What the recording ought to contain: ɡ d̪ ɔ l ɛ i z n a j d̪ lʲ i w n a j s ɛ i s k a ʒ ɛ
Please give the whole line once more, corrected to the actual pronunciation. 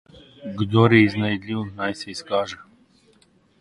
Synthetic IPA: ɡ d̪ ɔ ɾ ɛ i z n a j d̪ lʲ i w n a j s ɛ i s k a ʒ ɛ